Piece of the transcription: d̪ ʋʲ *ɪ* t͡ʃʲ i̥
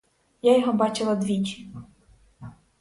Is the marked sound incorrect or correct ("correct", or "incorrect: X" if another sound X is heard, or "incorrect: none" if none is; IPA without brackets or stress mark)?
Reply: incorrect: i